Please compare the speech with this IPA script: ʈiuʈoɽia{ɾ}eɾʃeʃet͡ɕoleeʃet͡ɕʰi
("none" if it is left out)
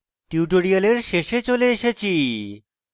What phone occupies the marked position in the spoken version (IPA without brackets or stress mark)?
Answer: l